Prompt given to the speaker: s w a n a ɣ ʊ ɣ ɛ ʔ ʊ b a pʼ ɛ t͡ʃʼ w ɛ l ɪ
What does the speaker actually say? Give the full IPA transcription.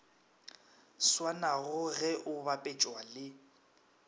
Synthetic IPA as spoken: s w a n a ɣ ʊ ɣ ɛ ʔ ʊ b a pʼ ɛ t͡ʃʼ w a l ɪ